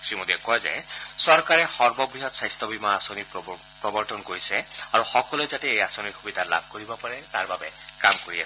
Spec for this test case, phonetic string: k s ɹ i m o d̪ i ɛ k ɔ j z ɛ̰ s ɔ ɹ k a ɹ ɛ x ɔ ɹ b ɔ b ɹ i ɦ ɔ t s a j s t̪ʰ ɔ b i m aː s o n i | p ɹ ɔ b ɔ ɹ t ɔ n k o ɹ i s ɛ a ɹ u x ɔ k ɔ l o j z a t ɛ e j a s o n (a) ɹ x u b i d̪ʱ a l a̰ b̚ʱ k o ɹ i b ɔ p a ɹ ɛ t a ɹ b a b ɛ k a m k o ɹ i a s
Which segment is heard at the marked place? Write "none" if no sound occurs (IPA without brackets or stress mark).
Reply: i